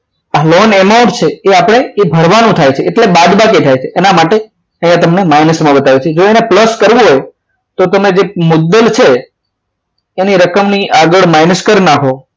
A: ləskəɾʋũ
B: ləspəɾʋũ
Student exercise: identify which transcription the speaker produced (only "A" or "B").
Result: A